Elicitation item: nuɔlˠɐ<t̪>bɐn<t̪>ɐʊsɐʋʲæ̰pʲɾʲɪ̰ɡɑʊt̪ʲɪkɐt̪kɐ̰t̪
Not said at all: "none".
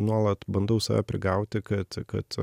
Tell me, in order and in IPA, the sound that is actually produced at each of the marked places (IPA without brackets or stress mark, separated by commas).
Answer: t̪, d̪